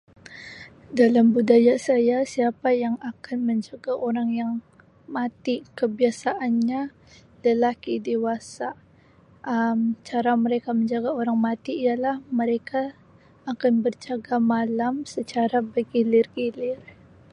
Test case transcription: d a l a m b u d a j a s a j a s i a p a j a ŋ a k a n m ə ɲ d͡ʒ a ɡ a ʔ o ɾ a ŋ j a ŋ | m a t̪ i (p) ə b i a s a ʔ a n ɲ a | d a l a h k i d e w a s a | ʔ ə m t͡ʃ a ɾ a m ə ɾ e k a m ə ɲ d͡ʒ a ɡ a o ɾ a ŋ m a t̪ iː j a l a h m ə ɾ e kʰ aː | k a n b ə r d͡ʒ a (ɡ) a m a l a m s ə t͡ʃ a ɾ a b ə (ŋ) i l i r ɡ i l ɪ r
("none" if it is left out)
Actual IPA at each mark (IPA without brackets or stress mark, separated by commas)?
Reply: k, ɡ, ɡ